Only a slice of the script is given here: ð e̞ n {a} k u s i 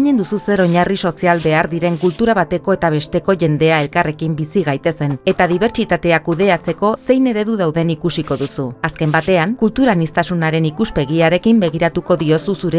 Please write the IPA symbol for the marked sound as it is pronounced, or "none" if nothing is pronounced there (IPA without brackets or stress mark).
i